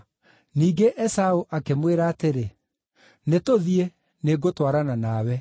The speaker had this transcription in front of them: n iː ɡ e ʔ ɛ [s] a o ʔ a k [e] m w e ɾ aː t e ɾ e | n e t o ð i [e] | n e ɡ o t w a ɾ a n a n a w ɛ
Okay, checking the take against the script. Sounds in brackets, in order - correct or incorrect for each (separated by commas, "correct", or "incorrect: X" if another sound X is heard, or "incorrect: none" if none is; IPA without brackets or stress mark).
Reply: correct, correct, correct